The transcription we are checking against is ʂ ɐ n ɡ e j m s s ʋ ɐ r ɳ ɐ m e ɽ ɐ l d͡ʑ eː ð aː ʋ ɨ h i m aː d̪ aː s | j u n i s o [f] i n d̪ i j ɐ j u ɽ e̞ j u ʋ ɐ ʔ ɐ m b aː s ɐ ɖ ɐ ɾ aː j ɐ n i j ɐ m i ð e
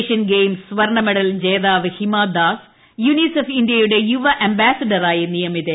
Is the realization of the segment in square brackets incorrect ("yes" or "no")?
no